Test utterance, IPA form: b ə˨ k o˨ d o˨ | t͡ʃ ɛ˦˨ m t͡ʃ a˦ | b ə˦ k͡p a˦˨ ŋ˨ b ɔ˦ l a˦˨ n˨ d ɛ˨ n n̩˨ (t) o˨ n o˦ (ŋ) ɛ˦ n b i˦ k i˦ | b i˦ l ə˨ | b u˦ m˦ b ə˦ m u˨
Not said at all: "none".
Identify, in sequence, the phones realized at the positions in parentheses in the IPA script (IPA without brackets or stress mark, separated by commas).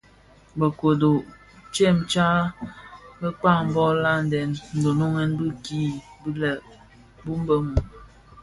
d, ŋ